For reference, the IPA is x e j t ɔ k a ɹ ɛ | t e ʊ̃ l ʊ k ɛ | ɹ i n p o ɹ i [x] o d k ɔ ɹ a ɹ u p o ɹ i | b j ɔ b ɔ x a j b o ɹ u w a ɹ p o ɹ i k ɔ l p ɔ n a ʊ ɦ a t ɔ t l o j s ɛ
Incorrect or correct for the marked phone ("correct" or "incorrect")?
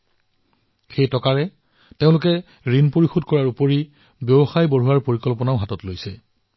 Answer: correct